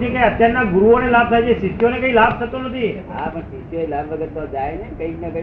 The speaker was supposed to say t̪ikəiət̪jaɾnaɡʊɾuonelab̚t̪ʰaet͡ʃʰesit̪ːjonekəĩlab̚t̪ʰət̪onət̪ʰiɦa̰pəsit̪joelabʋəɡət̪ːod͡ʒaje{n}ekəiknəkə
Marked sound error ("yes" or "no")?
no